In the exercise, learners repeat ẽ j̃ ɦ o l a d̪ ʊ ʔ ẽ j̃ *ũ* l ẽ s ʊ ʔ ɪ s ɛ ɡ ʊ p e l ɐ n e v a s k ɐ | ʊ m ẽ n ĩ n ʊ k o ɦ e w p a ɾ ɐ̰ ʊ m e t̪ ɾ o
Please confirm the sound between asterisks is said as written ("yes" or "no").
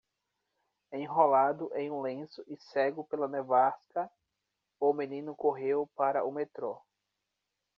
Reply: yes